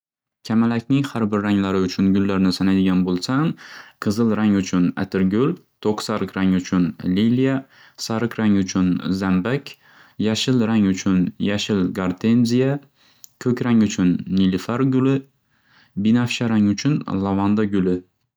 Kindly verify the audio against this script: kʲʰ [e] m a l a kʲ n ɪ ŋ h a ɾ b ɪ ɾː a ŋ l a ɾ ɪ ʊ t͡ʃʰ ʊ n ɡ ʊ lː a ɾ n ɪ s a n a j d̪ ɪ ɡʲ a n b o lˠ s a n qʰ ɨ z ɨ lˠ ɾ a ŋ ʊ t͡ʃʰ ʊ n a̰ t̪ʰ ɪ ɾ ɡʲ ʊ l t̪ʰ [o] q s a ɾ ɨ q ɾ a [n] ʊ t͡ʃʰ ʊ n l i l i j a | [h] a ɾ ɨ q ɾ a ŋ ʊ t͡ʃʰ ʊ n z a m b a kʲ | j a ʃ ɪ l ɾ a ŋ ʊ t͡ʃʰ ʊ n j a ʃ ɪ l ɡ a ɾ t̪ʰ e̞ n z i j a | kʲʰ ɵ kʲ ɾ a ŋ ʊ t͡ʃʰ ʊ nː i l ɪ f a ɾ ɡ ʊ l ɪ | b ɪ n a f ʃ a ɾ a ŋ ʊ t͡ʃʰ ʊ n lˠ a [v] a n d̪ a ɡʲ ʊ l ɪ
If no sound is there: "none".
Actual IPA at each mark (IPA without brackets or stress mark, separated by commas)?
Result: a, o, ŋ, s, v